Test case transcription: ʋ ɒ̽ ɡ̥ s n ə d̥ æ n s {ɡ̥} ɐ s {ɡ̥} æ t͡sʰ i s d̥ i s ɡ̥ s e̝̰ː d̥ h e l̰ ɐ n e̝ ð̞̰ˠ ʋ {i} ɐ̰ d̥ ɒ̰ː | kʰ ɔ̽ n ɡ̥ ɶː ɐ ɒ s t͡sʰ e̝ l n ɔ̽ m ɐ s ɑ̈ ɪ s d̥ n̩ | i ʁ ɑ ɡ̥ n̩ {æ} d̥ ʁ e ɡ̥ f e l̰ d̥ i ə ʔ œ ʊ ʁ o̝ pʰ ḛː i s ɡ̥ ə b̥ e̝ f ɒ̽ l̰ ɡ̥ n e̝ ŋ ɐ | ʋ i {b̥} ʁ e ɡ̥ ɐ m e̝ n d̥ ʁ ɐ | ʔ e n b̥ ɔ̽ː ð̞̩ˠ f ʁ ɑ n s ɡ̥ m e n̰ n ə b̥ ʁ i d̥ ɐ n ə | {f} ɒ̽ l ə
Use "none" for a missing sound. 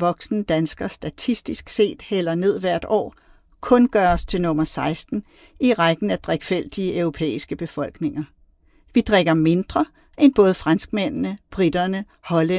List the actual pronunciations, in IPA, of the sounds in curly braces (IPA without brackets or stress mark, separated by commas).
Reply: ɡ̥, d̥, æ, æ, d̥, h